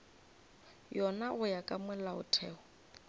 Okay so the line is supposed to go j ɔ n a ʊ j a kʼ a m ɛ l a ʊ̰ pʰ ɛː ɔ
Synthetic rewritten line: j ɔ n a ʊ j a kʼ a m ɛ l a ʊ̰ tʰ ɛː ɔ